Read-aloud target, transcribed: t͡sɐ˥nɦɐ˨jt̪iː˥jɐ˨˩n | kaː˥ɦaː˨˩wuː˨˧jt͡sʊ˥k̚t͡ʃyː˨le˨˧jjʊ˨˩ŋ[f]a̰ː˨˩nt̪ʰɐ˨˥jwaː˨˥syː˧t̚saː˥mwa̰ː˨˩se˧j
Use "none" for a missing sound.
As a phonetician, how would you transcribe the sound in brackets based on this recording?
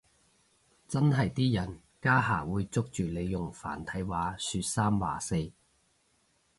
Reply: f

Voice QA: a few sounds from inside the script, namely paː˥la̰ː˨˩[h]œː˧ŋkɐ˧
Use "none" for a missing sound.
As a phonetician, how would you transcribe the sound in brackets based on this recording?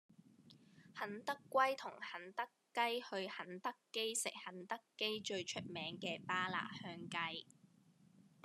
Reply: h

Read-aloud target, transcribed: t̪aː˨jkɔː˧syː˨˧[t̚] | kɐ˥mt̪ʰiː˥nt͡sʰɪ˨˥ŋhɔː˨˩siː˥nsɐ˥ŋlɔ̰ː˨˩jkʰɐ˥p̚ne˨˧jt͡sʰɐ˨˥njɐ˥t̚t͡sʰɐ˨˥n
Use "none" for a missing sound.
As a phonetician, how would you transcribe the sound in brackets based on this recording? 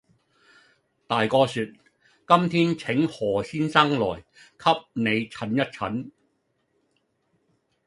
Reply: t̚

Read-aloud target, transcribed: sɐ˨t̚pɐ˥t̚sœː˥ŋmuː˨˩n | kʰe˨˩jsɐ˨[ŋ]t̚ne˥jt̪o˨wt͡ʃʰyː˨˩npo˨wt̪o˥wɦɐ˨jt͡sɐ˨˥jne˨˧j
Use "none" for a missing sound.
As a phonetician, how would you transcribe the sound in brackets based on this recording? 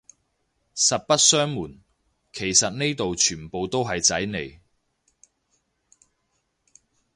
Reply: none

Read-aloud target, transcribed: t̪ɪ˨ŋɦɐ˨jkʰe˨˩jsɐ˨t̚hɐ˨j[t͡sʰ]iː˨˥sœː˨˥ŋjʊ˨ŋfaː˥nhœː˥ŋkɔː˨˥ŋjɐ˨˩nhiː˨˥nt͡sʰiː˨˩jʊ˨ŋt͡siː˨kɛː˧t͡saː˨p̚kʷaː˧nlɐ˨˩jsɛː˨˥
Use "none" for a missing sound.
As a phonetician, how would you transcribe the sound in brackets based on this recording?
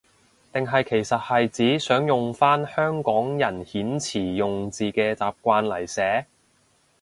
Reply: t͡s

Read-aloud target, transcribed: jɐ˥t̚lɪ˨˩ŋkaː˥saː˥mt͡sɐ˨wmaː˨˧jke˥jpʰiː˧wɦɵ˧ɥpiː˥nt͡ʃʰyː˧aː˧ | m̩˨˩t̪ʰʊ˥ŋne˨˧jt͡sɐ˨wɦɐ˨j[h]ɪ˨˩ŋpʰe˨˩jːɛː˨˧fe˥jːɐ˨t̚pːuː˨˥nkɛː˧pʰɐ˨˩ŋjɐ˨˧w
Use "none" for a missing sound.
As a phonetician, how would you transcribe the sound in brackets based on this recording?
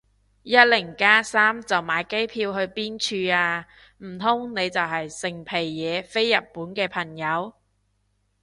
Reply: s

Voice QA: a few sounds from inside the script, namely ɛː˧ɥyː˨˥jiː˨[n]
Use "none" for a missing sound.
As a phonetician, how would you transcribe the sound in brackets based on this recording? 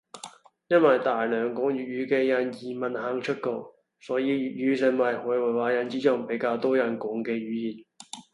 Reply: n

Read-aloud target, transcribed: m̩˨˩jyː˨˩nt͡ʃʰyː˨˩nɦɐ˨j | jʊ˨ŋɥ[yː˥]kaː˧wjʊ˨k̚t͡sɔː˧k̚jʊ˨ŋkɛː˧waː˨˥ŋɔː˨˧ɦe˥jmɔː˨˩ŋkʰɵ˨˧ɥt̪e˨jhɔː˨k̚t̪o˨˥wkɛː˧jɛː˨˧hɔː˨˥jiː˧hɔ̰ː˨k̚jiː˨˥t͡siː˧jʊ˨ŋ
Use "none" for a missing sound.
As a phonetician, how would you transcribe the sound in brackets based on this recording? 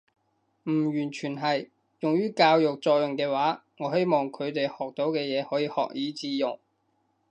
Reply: yː˥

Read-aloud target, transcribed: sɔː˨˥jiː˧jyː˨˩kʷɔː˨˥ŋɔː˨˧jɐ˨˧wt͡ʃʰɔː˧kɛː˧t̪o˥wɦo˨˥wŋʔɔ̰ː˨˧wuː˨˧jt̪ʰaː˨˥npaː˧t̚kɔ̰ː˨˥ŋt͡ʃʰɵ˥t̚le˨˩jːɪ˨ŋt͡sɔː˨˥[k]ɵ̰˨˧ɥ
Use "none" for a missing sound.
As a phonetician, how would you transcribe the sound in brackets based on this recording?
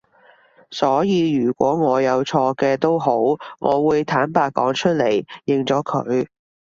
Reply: kʰ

